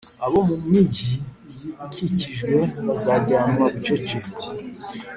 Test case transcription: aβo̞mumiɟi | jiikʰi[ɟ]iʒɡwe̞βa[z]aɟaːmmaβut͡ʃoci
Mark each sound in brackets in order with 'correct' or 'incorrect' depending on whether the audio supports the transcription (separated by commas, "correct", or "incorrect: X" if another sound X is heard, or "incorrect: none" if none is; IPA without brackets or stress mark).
incorrect: c, correct